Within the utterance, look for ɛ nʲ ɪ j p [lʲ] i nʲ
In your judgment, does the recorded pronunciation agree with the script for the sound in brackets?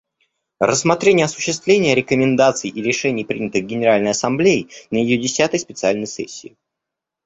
no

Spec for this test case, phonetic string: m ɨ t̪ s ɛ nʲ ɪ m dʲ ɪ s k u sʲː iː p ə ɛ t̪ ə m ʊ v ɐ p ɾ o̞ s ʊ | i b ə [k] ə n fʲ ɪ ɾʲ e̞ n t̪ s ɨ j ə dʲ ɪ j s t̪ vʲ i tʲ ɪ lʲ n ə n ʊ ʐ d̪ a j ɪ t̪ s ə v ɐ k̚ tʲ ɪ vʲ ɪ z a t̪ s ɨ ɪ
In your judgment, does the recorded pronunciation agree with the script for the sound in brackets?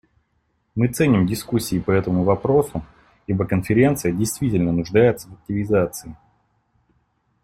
yes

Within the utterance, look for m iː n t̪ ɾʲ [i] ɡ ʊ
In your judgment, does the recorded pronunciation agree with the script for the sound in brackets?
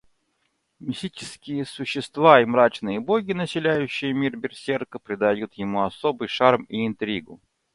yes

